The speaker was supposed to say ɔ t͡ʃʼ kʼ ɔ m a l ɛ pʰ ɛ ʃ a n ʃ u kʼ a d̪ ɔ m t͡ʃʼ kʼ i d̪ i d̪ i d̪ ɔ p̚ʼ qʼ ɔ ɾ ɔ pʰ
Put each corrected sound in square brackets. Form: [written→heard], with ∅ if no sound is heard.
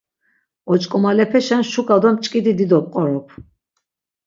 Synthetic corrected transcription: ɔ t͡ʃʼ kʼ ɔ m a l ɛ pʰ ɛ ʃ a n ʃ u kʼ a d̪ ɔ m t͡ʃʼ kʼ i d̪ i d̪ i d̪ ɔ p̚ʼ qʼ ɔ ɾ ɔ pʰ